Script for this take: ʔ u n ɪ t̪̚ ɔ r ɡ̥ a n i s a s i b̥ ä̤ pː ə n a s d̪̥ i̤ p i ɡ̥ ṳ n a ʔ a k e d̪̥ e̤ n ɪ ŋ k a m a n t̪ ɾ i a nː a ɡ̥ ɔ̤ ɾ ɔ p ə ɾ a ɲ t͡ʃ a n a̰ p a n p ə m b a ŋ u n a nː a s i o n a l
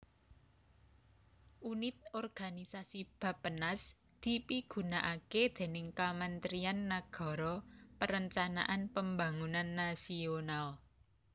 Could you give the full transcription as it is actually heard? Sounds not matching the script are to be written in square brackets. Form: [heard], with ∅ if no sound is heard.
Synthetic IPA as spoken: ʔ u n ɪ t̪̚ ɔ r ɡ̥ a n i s a s i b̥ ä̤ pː ə n a s d̪̥ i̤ p i ɡ̥ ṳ n a ʔ a k e d̪̥ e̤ n ɪ ŋ k a m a n t̪ ɾ i a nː a ɡ̥ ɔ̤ ɾ ɔ p ə ɾ [ə] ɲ t͡ʃ a n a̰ [ʔ] a n p ə m b a ŋ u n a nː a s i o n a l